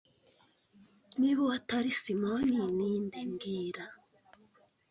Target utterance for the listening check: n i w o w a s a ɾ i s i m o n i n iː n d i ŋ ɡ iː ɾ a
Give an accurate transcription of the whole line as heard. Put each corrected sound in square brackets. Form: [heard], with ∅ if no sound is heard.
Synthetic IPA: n i [β] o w a [t] a ɾ i s i m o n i n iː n d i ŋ ɡ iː ɾ a